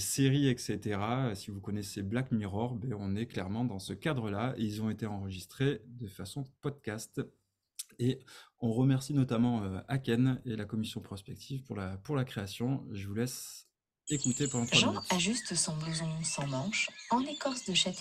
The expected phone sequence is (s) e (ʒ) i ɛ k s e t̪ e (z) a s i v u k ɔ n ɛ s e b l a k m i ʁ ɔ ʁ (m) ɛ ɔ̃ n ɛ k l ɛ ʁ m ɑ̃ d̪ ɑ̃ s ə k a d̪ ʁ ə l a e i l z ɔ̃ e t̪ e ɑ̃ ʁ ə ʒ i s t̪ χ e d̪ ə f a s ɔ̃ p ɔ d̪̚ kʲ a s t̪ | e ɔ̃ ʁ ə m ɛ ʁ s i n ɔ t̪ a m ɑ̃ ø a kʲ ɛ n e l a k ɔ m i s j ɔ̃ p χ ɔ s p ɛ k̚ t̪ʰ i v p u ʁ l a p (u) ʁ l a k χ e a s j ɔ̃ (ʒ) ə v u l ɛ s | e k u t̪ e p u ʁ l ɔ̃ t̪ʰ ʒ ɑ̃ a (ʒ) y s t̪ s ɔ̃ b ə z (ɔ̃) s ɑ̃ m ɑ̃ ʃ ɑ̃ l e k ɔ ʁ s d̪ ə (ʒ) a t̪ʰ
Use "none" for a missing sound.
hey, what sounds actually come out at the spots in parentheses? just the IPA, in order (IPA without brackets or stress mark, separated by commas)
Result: s, ʁ, ʁ, b, u, ʒ, ʒ, ɔ̃, ʃ